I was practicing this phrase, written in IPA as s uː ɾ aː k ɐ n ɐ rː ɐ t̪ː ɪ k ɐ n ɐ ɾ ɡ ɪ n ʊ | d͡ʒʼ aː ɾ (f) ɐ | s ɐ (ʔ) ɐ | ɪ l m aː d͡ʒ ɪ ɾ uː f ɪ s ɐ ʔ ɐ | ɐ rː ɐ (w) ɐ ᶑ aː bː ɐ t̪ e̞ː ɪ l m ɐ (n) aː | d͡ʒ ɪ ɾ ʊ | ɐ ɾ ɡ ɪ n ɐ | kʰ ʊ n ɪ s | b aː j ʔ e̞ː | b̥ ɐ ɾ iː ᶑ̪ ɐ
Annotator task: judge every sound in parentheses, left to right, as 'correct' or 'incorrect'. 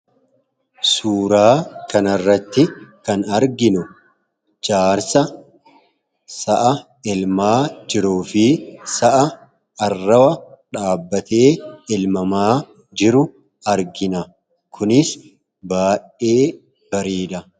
incorrect, correct, correct, incorrect

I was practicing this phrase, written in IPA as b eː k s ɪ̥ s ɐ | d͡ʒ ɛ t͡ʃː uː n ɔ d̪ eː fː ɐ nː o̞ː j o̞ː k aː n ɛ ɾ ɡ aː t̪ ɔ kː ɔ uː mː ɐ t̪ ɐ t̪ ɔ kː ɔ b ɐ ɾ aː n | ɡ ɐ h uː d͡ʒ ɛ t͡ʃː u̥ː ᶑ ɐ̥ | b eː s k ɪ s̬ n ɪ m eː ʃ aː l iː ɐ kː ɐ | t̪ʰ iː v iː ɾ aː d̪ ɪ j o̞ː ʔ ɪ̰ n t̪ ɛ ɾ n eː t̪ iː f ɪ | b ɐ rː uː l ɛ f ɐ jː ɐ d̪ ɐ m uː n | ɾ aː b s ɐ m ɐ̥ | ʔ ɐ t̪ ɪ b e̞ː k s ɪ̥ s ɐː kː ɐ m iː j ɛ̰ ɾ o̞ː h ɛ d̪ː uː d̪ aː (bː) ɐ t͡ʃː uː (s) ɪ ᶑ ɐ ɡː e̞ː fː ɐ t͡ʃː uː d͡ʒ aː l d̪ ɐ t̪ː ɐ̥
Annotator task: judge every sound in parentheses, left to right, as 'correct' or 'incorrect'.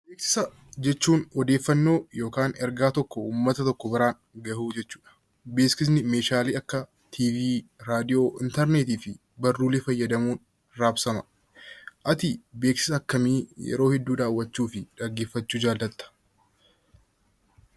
incorrect, incorrect

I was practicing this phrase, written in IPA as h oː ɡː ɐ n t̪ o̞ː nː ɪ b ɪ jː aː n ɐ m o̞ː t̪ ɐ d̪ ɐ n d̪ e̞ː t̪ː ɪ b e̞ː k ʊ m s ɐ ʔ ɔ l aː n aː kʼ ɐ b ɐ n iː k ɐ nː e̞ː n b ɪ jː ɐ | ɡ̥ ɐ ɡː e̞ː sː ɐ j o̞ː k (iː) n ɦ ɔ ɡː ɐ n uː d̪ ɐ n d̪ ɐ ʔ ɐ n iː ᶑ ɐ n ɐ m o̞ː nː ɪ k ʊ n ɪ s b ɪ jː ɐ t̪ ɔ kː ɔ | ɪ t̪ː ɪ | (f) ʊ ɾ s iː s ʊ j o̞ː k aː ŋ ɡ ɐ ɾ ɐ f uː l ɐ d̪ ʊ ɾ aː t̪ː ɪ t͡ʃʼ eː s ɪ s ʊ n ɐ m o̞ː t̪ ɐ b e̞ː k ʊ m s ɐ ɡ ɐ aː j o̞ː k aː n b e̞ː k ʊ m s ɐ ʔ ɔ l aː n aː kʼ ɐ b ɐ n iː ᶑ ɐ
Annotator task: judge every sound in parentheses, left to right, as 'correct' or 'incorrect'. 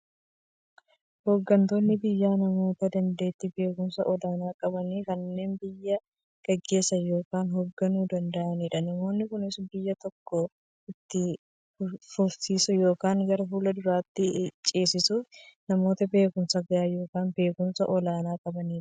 incorrect, correct

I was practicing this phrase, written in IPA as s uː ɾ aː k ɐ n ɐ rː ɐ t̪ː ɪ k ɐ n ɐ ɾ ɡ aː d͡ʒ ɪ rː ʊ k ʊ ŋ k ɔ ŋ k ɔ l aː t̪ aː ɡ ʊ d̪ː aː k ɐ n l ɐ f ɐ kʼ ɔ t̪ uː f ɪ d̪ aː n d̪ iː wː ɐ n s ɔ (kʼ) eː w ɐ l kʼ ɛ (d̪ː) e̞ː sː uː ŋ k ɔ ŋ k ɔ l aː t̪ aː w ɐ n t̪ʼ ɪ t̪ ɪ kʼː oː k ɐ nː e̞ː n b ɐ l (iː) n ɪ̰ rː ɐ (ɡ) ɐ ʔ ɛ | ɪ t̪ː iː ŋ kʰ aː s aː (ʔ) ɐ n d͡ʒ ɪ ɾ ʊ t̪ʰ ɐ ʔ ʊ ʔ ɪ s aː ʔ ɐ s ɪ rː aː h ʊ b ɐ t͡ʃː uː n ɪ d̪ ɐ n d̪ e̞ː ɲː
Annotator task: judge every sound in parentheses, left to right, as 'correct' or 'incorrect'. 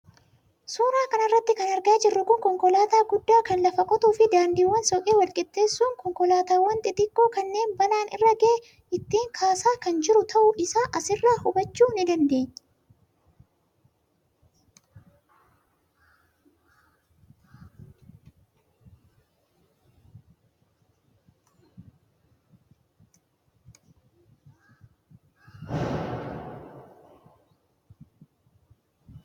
correct, incorrect, incorrect, correct, incorrect

